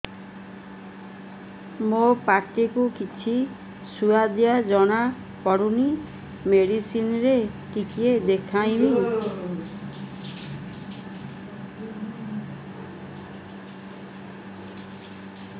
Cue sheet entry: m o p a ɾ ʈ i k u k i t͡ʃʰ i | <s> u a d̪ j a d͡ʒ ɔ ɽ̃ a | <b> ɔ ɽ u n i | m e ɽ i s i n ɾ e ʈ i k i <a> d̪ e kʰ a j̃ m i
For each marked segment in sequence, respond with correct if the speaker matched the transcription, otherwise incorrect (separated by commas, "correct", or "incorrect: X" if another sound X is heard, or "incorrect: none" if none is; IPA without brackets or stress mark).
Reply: correct, incorrect: p, incorrect: e